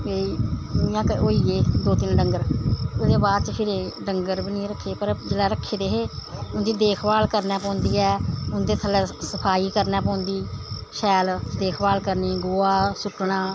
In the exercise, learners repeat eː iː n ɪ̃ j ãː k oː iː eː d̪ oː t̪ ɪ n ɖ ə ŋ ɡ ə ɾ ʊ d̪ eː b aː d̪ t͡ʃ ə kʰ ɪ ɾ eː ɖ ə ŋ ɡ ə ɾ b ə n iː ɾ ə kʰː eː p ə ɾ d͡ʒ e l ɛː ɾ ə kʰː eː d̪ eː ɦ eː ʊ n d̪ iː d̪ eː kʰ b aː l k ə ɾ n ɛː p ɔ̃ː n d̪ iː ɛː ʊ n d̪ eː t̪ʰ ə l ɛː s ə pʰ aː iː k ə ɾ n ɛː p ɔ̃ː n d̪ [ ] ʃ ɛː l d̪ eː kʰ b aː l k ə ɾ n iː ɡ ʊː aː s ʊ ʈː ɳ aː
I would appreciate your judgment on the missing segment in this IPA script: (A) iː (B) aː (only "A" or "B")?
A